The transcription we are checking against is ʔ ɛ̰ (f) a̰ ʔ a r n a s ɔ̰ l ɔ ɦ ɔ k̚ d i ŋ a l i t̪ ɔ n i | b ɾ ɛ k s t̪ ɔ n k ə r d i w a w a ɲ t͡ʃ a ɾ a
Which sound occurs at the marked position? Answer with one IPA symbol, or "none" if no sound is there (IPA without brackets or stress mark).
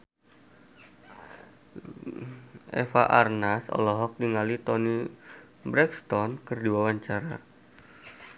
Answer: f